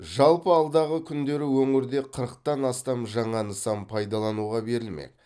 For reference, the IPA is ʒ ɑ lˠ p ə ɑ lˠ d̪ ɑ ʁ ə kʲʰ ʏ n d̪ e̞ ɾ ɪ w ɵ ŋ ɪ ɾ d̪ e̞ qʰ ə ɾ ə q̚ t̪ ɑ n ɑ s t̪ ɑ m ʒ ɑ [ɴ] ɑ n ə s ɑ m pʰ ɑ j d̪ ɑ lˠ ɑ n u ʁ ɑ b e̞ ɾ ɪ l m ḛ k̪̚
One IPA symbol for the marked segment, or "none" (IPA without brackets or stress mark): ɴ